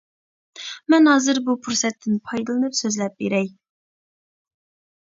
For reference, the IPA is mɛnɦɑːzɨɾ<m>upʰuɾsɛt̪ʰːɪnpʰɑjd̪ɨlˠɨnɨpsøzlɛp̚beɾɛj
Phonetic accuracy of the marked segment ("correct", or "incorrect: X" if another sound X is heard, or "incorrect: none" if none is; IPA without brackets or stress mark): incorrect: b